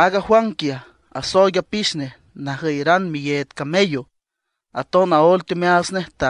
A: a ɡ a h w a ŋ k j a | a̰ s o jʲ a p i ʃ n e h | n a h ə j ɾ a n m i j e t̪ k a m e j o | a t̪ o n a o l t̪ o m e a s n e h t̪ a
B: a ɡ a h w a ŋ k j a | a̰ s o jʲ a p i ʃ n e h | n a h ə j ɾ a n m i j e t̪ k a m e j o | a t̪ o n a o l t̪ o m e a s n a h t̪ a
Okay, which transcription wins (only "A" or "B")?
A